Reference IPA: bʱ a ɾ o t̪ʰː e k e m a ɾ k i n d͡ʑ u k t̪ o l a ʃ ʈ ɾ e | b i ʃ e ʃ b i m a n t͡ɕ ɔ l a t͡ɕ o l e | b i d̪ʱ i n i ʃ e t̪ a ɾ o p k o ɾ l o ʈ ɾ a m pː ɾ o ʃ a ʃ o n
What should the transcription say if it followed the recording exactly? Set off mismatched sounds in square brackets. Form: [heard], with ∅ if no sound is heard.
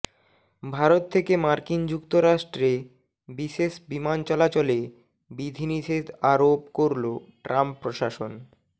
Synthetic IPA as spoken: bʱ a ɾ o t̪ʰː e k e m a ɾ k i n d͡ʑ u k t̪ o [ɾ] a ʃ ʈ ɾ e | b i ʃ e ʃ b i m a n t͡ɕ ɔ l a t͡ɕ o l e | b i d̪ʱ i n i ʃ e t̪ a ɾ o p k o ɾ l o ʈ ɾ a m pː ɾ o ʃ a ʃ o n